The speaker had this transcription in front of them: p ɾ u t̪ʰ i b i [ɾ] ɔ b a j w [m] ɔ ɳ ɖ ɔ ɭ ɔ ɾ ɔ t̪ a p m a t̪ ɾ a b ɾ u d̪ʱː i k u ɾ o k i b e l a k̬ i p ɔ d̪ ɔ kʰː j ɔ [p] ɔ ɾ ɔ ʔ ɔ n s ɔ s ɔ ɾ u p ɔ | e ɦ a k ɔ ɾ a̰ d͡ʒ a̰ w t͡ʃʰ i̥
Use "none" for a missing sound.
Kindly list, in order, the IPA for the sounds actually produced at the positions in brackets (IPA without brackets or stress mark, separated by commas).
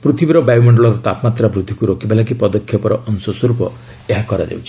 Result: ɾ, m, p